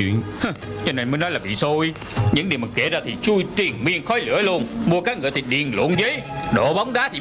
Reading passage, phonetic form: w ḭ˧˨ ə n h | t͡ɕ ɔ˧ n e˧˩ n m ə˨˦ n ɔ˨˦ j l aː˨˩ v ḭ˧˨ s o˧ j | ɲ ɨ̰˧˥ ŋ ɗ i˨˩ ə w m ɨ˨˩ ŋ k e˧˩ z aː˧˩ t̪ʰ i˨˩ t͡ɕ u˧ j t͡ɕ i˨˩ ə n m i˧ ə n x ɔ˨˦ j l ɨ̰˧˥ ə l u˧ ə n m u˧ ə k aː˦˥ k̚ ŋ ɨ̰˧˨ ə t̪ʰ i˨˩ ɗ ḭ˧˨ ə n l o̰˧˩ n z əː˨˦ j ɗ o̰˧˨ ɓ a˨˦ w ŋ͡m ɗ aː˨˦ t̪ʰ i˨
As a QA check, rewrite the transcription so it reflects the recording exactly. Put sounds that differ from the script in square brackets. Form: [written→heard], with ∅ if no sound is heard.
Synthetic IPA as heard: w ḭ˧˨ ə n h | t͡ɕ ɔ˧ n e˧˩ n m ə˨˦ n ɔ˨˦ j l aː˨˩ v ḭ˧˨ s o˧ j | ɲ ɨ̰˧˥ ŋ ɗ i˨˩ ə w m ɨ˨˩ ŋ k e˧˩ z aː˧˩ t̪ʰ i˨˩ t͡ɕ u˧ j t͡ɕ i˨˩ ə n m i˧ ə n x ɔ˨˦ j l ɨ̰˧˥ ə l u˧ ə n m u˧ ə k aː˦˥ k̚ ŋ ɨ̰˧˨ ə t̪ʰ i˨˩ ɗ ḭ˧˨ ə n l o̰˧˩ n z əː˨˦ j ɗ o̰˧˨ ɓ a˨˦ w ŋ͡m ɗ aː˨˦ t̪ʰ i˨